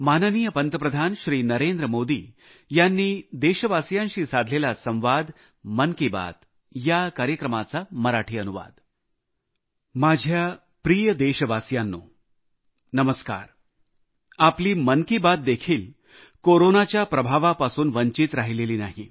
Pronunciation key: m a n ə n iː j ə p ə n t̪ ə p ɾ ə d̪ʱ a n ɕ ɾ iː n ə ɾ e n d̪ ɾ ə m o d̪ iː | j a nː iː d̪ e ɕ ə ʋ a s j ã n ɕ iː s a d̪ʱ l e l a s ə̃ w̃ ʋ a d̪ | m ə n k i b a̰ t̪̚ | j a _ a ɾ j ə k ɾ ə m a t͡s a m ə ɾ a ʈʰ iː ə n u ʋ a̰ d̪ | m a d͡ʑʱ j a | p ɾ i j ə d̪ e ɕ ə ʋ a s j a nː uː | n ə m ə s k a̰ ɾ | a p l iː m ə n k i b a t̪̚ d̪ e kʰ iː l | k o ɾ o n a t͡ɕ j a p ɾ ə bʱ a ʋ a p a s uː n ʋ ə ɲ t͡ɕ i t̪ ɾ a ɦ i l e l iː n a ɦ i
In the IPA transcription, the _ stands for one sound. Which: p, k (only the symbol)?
k